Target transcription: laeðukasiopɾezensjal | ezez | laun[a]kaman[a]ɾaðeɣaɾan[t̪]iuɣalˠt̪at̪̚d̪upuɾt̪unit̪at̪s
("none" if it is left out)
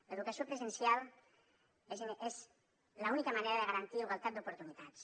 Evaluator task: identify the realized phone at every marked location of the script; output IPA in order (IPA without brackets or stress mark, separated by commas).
i, e, t̪